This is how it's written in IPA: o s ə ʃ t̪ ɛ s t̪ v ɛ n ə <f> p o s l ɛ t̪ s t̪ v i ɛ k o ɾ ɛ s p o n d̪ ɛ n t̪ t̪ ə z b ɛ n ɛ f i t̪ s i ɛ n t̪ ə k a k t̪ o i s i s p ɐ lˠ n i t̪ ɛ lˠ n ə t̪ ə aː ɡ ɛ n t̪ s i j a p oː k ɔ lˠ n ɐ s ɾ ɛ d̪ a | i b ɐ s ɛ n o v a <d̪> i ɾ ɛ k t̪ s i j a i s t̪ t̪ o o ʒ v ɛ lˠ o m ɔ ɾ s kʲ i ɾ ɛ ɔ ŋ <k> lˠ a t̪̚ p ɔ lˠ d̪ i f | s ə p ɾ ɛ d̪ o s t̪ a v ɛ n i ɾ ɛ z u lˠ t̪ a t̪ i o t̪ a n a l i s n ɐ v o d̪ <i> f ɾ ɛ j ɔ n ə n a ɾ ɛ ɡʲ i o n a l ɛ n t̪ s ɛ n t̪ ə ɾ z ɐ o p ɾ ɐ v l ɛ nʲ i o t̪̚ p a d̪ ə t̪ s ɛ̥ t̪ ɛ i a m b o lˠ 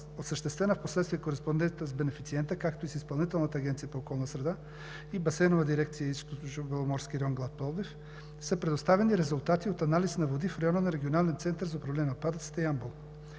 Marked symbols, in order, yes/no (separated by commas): yes, yes, no, yes